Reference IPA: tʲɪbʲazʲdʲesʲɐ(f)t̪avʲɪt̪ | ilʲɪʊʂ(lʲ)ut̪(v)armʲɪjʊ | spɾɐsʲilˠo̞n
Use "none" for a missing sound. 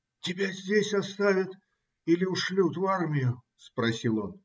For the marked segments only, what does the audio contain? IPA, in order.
s, lʲ, v

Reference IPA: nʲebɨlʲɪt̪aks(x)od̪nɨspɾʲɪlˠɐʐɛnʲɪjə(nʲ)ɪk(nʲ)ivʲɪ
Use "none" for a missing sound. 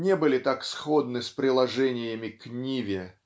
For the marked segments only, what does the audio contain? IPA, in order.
x, mʲ, nʲ

